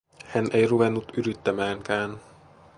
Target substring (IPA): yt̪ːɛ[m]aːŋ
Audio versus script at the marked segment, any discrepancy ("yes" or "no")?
no